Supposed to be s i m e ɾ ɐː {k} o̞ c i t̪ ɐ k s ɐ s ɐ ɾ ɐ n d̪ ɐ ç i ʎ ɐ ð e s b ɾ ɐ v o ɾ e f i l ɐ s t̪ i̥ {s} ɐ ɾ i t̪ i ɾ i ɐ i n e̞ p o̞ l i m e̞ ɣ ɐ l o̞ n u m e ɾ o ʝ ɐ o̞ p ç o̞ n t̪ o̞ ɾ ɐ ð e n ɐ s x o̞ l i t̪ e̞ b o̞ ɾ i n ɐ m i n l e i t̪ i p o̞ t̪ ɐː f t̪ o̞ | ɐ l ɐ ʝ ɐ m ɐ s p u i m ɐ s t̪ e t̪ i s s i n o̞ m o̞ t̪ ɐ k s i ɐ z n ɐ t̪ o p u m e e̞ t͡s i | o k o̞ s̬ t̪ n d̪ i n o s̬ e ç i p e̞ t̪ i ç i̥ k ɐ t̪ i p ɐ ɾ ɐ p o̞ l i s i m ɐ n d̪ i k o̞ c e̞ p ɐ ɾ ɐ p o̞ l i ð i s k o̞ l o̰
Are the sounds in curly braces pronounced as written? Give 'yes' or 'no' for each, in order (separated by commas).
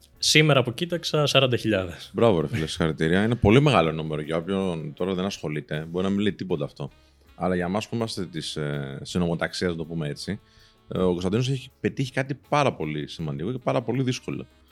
no, no